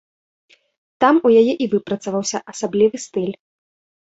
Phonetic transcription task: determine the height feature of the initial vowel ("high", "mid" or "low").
low